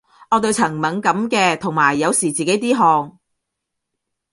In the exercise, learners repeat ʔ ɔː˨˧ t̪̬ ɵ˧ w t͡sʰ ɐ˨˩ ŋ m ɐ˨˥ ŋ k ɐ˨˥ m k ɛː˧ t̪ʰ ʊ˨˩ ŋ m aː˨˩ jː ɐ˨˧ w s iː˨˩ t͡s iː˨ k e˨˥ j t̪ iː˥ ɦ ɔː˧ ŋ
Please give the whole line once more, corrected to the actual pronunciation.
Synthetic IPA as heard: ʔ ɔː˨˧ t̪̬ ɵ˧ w t͡sʰ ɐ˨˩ ŋ m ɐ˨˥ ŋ k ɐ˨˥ m k ɛː˧ t̪ʰ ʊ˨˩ ŋ m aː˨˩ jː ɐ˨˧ w s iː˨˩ t͡s iː˨ k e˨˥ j t̪ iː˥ ɦ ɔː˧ ŋ